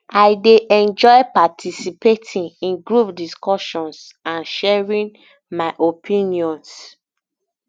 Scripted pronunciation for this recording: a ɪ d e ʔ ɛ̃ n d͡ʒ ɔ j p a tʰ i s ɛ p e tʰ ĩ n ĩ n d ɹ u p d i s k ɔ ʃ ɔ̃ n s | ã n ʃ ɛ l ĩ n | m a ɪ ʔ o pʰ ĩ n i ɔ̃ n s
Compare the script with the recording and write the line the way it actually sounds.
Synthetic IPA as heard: a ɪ d e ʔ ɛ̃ n d͡ʒ ɔ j p a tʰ i s i p e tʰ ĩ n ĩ n ɡ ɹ u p d i s k ɔ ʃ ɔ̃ n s | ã n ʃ ɛ ɹ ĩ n | m a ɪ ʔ o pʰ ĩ n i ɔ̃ n s